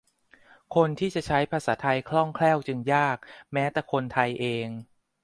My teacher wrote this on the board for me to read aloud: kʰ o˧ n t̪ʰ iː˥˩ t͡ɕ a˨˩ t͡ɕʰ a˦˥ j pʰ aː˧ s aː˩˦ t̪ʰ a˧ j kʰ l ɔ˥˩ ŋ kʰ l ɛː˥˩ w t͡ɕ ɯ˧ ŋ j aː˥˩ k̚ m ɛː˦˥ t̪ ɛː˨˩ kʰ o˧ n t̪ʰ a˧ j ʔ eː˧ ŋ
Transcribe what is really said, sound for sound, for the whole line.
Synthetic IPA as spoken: kʰ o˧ n t̪ʰ iː˥˩ t͡ɕ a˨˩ t͡ɕʰ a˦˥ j pʰ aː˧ s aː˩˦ t̪ʰ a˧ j kʰ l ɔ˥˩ ŋ kʰ l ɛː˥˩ w t͡ɕ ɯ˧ ŋ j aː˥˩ k̚ m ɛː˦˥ t̪ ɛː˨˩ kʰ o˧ n t̪ʰ a˧ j ʔ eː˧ ŋ